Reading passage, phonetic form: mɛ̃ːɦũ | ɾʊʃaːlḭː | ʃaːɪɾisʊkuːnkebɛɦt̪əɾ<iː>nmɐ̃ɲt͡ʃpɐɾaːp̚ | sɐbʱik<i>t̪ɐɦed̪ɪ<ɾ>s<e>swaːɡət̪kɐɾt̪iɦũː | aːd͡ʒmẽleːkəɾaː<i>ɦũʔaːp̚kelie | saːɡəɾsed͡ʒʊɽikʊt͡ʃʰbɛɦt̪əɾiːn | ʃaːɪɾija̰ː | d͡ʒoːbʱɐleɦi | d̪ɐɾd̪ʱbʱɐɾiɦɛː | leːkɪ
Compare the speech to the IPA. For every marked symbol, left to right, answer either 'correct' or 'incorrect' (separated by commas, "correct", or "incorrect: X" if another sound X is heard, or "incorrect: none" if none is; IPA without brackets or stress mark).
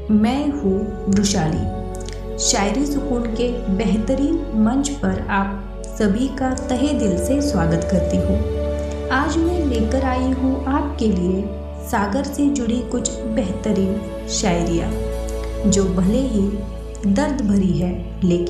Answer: correct, incorrect: a, incorrect: l, correct, correct